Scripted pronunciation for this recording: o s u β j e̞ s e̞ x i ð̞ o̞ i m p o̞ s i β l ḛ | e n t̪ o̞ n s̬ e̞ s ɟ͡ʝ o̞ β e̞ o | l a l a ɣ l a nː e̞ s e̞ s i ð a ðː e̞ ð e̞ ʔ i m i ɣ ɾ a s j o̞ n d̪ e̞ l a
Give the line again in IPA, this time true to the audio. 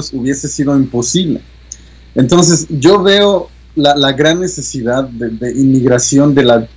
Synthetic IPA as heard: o s u β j e̞ s e̞ s i ð̞ o̞ i m p o̞ s i β l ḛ | e n t̪ o̞ n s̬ e̞ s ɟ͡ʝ o̞ β e̞ o | l a l a ɣ ɾ a nː e̞ s e̞ s i ð a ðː e̞ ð e̞ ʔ i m i ɣ ɾ a s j o̞ n d̪ e̞ l a